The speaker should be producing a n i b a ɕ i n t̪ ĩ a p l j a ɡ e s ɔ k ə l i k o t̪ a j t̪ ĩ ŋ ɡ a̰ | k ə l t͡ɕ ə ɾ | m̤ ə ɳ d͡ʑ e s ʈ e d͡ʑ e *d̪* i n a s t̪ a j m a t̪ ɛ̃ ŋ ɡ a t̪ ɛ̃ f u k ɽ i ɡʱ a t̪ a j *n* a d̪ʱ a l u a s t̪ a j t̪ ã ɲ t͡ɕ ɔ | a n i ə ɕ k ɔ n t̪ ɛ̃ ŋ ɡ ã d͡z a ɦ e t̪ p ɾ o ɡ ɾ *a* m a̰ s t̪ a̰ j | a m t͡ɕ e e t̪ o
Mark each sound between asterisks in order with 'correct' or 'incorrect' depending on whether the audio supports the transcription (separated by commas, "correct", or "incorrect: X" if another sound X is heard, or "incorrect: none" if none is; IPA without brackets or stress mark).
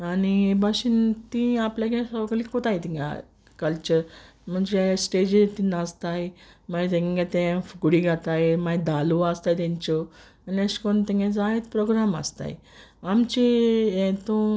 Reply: incorrect: t̪, incorrect: m, correct